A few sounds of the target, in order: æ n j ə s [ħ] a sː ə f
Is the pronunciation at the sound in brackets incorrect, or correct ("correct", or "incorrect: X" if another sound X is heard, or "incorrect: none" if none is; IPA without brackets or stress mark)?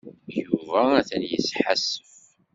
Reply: correct